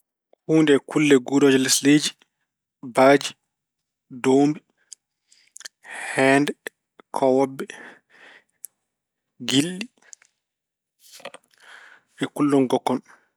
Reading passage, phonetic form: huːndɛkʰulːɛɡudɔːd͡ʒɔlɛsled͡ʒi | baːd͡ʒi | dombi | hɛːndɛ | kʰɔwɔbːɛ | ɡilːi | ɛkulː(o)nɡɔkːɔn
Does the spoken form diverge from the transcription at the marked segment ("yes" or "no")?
yes